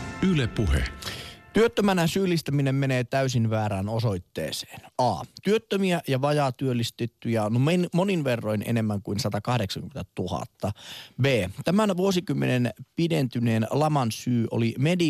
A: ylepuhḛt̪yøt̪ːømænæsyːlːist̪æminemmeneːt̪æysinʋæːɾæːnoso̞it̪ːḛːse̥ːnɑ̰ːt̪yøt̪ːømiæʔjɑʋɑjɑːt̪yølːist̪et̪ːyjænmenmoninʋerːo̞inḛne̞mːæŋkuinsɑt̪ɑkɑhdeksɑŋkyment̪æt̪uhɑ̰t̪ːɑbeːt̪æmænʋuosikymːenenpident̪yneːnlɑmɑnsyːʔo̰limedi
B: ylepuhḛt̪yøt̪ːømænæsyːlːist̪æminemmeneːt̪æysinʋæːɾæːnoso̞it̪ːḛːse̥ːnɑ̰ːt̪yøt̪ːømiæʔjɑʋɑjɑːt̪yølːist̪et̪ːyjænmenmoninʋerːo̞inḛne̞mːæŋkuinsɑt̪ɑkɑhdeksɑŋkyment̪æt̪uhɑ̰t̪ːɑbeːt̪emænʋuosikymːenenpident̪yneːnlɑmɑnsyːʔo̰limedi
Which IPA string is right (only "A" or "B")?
A